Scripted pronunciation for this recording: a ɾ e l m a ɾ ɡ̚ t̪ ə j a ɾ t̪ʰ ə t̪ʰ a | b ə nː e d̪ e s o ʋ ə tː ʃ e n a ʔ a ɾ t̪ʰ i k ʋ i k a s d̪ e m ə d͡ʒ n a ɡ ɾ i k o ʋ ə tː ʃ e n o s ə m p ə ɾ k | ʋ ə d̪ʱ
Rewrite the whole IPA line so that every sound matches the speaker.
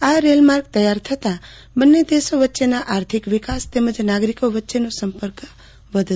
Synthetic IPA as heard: a ɾ e l m a ɾ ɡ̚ t̪ ə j a ɾ t̪ʰ ə t̪ a | b ə nː e d̪ e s o ʋ ə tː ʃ e n a ʔ a ɾ t̪ʰ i k ʋ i k a s t̪ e m ə d͡ʒ n a ɡ ɾ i k o ʋ ə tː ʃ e n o s ə m p ə ɾ k | ʋ ə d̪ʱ

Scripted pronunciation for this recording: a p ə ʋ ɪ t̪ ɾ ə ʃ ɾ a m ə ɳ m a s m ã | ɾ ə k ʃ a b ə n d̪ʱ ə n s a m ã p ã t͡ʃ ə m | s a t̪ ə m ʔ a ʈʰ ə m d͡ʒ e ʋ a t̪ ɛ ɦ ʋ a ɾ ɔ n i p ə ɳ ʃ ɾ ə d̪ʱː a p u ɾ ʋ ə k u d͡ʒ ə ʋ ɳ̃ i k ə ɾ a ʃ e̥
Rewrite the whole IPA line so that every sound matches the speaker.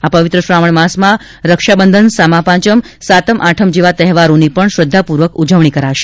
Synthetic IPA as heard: a p ə ʋ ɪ t̪ ɾ ə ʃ ɾ a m ə ɳ m a s m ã | ɾ ə k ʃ a b ə n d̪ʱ ə n s a m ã p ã t͡ʃ ə m | s a t̪ ə m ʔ a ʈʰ ə m d͡ʒ e ʋ a t̪ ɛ ɦ ʋ a ɾ o n i p ə ɳ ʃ ɾ ə d̪ʱː a p u ɾ ʋ ə k u d͡ʒ ə ʋ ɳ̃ i k ə ɾ a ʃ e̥

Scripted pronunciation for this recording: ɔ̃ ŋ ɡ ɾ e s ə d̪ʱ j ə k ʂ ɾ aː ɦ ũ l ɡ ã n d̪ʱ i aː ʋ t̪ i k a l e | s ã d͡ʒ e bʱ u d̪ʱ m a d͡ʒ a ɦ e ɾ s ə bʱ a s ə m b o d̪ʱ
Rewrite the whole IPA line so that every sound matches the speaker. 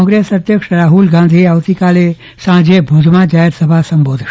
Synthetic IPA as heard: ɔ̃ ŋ ɡ ɾ e s ə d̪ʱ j ə k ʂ ɾ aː ɦ u l ɡ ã n d̪ʱ i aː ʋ t̪ i k a l e | s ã d͡ʒ e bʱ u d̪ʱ m a d͡ʒ a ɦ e ɾ s ə bʱ a s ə m b o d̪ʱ

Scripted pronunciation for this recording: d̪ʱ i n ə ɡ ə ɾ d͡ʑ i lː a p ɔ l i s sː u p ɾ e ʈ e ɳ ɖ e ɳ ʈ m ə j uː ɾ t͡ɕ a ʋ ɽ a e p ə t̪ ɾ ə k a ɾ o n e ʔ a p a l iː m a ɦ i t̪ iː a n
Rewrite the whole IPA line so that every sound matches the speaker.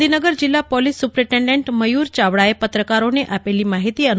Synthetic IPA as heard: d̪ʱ i n ə ɡ ə ɾ d͡ʑ i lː a p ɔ l i s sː u p ɾ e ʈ e ɳ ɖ e ɳ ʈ m ə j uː ɾ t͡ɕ a ʋ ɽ a e p ə t̪ ɾ ə k a ɾ o n e ʔ a p e l iː m a ɦ i t̪ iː ə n

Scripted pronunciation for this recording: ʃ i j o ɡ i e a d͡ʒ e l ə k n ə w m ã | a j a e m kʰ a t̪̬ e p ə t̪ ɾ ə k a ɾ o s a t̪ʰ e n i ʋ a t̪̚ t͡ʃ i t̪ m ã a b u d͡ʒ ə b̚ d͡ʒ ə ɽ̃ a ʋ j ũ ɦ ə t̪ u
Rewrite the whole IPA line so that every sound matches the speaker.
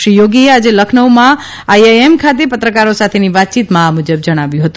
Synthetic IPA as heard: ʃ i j o ɡ i e a d͡ʒ e l ə kʰ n ə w m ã | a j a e m kʰ a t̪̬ e p ə t̪ ɾ ə k a ɾ o s a t̪ʰ e n i ʋ a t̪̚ t͡ʃ i t̪ m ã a m u d͡ʒ ə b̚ d͡ʒ ə ɽ̃ a ʋ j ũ ɦ ə t̪ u

